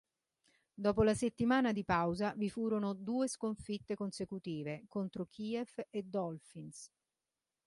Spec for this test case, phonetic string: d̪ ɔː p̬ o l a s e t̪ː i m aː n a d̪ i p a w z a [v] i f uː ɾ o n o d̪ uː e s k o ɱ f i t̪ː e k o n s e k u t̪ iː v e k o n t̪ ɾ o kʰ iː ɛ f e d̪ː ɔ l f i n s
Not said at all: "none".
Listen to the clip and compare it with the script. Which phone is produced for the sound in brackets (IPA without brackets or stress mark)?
v